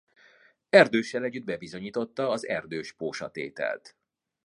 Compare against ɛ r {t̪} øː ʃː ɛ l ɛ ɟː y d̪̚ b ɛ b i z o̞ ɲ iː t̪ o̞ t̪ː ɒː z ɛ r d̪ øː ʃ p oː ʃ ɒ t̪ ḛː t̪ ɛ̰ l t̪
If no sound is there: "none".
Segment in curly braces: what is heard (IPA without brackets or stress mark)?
d̪